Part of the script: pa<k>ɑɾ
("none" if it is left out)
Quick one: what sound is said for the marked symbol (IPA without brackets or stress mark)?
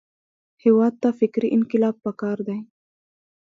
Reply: k